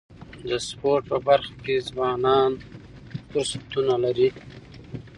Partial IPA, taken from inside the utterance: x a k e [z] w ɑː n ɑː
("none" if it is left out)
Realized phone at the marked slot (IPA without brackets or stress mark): z